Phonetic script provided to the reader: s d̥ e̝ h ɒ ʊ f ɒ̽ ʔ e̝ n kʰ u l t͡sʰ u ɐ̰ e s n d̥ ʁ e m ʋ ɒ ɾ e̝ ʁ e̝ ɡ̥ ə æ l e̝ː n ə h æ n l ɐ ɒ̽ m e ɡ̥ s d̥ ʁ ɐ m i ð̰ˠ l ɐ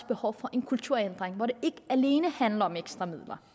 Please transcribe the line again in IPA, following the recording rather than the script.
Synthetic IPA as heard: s b̥ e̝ h ɒ ʊ f ɒ̽ ʔ e̝ n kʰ u l t͡sʰ u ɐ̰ e n d̥ ʁ e ŋ ʋ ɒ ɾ e̝ e̝ ɡ̥ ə æ l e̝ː n ə h æ n l ɐ ɒ̽ m e ɡ̥ s d̥ ʁ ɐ m i ð̰ˠ l ɐ